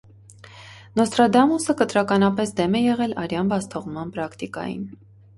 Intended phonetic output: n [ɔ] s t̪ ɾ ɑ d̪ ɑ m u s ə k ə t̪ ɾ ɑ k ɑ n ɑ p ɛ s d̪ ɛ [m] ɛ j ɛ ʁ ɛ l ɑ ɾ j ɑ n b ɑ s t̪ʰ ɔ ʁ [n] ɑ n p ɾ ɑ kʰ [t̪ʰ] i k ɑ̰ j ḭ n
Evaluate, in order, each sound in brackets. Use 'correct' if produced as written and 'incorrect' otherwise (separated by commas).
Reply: correct, correct, incorrect, incorrect